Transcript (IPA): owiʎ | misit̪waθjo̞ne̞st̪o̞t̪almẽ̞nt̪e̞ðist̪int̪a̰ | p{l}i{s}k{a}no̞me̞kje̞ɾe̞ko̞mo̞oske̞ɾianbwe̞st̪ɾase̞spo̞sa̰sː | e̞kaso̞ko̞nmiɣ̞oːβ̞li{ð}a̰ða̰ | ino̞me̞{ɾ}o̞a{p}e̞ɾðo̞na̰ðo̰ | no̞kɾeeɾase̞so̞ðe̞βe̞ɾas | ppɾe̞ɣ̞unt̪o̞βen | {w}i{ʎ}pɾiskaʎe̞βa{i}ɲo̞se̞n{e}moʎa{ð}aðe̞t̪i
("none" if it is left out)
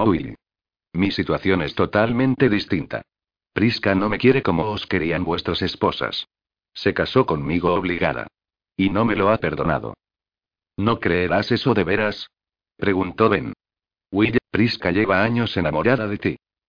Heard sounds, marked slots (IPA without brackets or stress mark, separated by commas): ɾ, s, a, ɣ, l, p, w, ʎ, a, a, ð